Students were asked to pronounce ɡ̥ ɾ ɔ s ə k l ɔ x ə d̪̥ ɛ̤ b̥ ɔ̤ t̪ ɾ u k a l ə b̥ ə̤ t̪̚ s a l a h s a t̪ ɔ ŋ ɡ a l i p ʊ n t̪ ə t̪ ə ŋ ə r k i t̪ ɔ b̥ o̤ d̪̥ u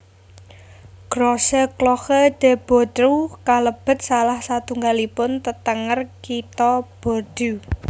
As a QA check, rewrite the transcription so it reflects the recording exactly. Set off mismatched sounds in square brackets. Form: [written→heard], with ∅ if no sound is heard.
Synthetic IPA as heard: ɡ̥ ɾ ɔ s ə k l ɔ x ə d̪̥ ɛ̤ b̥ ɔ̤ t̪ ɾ u k a l ə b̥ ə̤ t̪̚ s a l a h s a t̪ [ɔ→u] ŋ ɡ a l i p ʊ n t̪ ə t̪ ə ŋ ə r k i t̪ ɔ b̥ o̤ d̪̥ u